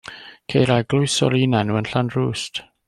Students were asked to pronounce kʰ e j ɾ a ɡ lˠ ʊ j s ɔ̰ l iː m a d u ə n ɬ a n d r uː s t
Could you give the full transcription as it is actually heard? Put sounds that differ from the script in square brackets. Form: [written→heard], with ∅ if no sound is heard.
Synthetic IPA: kʰ e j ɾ a ɡ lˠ ʊ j s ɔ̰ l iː [m→n] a [d→n] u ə n ɬ a n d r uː s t